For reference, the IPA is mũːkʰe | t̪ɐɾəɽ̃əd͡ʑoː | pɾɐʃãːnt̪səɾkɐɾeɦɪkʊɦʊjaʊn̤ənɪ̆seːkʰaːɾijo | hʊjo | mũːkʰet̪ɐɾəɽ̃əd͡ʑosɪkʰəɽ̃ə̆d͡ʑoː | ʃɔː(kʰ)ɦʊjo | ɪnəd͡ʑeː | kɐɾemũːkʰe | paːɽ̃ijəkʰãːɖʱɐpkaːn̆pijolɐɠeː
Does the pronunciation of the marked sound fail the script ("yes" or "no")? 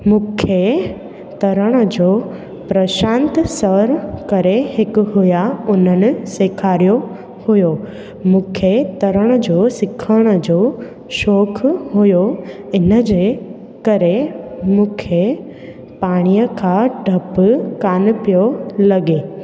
no